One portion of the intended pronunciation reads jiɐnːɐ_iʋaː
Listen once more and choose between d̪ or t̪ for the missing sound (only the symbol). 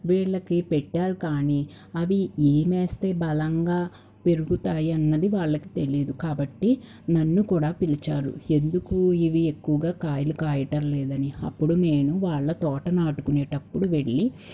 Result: d̪